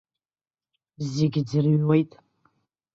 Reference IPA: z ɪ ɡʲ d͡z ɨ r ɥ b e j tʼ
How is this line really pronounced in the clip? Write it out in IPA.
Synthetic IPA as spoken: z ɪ ɡʲ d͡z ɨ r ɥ w e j tʼ